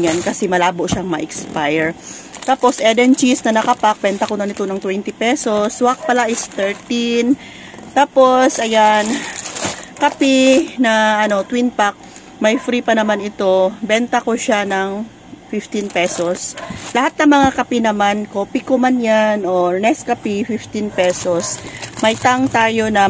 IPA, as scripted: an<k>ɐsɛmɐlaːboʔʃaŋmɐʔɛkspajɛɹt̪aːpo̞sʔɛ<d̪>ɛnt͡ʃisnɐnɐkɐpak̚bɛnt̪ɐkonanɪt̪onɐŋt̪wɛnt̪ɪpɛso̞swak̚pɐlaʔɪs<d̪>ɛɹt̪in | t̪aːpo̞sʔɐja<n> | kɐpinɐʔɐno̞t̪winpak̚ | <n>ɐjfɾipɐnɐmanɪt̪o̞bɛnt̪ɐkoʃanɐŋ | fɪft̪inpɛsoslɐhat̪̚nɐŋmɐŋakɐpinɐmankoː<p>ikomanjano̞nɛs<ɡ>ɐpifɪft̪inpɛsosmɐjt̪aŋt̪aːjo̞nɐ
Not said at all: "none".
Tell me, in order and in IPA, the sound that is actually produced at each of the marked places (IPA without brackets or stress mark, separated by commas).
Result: k, d̪, t̪, n, m, p, k